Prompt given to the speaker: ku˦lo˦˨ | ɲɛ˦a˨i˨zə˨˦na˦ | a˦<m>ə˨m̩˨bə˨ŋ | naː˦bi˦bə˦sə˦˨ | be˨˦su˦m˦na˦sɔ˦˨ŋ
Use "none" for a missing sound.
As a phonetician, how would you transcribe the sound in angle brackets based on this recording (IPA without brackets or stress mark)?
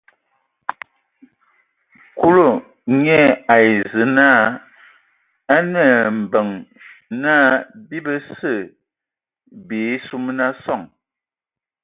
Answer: n